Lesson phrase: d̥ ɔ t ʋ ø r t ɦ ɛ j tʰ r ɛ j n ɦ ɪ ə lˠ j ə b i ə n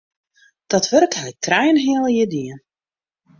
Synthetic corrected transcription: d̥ ɔ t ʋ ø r k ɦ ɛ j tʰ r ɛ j n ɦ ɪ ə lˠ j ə d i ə n